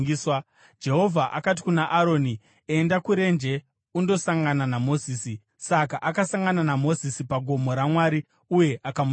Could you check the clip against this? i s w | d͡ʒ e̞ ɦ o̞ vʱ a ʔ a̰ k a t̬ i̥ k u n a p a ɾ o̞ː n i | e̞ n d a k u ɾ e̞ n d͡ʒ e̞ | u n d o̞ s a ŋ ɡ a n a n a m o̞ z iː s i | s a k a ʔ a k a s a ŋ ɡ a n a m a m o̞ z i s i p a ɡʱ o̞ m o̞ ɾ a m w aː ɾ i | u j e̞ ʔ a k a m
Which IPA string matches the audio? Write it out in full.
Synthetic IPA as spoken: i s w | d͡ʒ e̞ ɦ o̞ vʱ a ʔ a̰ k a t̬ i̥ k u n a ʔ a ɾ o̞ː n i | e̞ n d a k u ɾ e̞ n d͡ʒ e̞ | u n d o̞ s a ŋ ɡ a n a n a m o̞ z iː s i | s a k a ʔ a k a s a ŋ ɡ a n a n a m o̞ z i s i p a ɡʱ o̞ m o̞ ɾ a m w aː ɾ i | u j e̞ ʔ a k a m